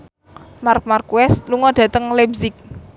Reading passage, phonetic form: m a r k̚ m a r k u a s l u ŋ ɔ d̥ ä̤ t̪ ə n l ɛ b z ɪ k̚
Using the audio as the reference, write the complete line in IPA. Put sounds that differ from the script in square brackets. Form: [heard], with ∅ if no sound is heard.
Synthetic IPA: m a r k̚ m a r k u [ɛ] s l u ŋ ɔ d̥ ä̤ t̪ ə [ŋ] l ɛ b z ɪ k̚